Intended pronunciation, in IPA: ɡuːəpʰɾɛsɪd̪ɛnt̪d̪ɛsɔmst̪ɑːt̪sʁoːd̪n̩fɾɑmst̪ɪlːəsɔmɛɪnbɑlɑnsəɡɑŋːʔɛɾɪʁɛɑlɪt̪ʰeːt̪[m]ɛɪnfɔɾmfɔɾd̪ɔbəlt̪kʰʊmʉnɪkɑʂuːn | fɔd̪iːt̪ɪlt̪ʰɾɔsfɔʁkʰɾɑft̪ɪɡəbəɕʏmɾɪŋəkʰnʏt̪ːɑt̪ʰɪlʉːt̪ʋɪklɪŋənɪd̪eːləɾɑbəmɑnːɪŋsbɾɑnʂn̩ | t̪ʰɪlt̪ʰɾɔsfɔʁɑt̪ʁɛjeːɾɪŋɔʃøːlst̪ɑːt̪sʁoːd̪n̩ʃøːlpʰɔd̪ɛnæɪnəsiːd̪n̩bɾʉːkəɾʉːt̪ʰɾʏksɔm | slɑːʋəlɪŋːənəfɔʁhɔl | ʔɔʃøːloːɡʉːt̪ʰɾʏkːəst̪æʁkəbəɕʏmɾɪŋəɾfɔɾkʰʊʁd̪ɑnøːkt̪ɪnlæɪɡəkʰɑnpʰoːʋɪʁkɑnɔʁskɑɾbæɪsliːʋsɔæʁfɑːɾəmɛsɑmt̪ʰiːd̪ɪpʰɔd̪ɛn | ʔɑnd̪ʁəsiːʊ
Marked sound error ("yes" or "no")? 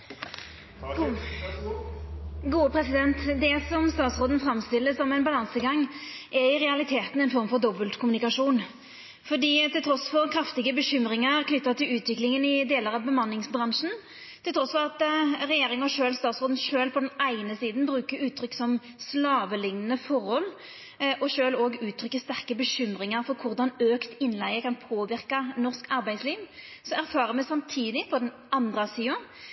yes